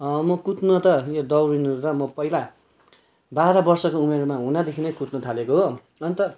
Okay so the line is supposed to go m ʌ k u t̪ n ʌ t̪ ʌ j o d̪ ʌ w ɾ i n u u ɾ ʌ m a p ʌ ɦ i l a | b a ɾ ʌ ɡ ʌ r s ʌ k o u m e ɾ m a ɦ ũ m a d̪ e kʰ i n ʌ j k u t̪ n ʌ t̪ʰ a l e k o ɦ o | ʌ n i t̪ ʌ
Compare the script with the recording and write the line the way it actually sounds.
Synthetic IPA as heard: m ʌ k u t̪ n ʌ t̪ ʌ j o d̪ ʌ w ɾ i n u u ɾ ʌ m ʌ p ʌ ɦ i l a | b a ɾ ʌ b ʌ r s ʌ k o u m e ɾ m a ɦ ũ n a d̪ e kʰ i n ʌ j k u t̪ n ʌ t̪ʰ a l e k o ɦ o | ʌ n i t̪ ʌ

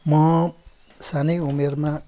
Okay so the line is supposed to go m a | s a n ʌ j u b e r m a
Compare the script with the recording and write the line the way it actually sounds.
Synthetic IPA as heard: m ʌ | s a n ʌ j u m e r m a

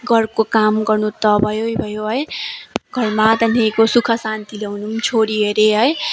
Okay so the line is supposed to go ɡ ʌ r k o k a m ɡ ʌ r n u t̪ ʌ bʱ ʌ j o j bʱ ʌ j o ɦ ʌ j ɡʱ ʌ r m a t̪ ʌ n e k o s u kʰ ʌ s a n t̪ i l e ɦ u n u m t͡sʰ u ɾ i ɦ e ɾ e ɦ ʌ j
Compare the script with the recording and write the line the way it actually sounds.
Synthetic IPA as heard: ɡ ʌ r k o k a m ɡ ʌ r n u t̪ ʌ bʱ ʌ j o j bʱ ʌ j o ɦ ʌ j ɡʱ ʌ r m a t̪ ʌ n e k o s u kʰ ʌ s a n t̪ i l e ɦ u n u m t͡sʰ o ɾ i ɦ e ɾ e ɦ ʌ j

